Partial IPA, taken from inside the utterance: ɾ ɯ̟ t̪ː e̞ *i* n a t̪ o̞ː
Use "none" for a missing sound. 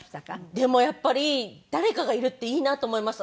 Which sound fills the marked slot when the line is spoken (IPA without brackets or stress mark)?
iː